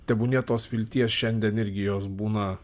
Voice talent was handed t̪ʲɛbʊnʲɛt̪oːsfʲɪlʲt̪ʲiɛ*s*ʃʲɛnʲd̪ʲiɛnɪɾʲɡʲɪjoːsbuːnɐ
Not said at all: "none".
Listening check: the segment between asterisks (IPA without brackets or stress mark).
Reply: s